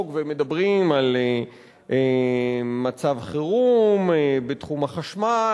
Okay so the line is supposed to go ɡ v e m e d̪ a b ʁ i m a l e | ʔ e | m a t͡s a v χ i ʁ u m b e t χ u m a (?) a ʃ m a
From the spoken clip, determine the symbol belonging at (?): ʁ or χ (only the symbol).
χ